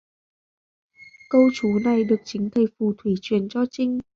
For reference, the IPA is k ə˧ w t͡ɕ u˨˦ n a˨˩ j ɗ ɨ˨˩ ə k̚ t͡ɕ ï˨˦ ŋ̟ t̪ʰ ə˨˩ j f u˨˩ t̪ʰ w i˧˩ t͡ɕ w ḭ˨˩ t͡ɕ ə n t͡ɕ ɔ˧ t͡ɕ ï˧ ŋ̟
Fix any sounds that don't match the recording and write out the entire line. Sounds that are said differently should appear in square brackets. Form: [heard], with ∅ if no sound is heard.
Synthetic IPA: k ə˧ w t͡ɕ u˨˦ n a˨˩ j ɗ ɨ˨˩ ə k̚ t͡ɕ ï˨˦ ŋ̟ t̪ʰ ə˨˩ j f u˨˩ t̪ʰ w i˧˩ t͡ɕ w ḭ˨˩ [∅] ə n t͡ɕ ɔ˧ t͡ɕ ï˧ ŋ̟